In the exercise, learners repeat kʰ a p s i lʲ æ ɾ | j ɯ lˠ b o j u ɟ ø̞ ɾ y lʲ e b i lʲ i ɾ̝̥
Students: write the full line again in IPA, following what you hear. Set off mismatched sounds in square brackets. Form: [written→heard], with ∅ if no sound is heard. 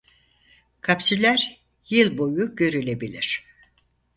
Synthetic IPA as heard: kʰ a p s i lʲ æ ɾ | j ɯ lˠ b o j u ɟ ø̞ ɾ y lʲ e b i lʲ i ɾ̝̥